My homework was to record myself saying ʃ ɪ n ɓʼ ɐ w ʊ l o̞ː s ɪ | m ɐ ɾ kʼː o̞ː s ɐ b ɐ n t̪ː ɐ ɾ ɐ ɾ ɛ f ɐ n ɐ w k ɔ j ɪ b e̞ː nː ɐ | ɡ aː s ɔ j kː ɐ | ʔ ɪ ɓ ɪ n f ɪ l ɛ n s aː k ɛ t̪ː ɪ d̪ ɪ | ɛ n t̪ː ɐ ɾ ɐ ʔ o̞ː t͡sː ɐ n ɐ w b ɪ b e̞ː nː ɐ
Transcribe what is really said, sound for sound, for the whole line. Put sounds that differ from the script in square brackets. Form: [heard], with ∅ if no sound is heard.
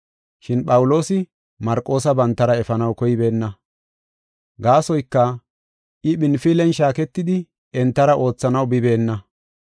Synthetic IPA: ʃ ɪ n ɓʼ ɐ w ʊ l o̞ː s ɪ | m ɐ ɾ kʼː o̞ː s ɐ b ɐ n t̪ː ɐ ɾ ɐ [∅] ɛ f ɐ n ɐ w k ɔ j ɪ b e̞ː nː ɐ | ɡ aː s ɔ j kː ɐ | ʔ ɪ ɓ ɪ n f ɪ l ɛ n [ʃ] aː k ɛ t̪ː ɪ d̪ ɪ | ɛ n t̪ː ɐ ɾ ɐ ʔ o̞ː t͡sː ɐ n ɐ w b ɪ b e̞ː nː ɐ